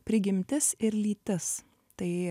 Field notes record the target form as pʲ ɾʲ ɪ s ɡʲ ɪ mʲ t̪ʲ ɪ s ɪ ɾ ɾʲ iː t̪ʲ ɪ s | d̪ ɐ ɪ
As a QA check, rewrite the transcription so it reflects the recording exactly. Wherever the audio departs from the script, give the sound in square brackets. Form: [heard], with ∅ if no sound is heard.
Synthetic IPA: pʲ ɾʲ ɪ [∅] ɡʲ ɪ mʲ t̪ʲ ɪ s ɪ ɾ [lʲ] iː t̪ʲ ɪ s | [t̪] ɐ ɪ